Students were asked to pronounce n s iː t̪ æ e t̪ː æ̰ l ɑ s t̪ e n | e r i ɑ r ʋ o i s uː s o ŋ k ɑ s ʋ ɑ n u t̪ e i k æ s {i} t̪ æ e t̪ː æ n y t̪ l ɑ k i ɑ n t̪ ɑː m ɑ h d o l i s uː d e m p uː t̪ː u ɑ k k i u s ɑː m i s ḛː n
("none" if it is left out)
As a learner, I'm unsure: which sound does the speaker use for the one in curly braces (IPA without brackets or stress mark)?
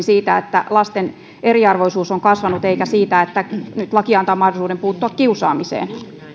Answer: iː